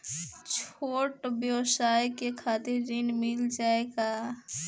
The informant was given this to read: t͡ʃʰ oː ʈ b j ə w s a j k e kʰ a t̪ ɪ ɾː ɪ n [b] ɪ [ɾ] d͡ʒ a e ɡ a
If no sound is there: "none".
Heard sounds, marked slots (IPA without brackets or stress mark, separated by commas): m, l